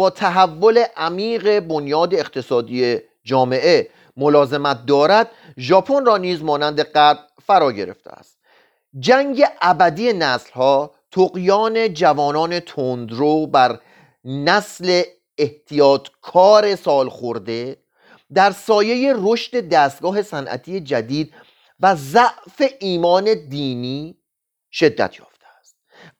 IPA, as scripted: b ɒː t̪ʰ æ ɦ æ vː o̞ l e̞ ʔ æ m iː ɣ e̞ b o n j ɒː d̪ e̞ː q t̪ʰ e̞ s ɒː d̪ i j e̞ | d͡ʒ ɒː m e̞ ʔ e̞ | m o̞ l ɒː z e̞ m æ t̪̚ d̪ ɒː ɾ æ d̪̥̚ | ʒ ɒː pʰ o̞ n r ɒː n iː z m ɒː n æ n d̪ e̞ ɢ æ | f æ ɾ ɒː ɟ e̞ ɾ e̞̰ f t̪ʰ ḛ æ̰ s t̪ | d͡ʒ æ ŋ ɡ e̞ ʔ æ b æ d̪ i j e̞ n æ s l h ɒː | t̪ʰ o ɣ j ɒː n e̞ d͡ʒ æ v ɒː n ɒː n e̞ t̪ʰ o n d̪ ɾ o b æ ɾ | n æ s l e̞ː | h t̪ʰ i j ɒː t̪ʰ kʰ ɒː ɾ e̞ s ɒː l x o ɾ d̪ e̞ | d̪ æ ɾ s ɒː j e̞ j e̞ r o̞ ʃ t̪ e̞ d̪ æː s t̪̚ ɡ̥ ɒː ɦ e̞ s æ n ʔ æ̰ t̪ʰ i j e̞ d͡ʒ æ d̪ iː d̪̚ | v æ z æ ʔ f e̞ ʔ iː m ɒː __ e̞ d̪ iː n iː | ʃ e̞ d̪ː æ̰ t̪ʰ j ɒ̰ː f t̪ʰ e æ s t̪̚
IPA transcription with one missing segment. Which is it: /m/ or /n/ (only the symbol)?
n